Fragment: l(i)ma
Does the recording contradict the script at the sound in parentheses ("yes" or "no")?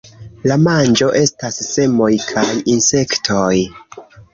yes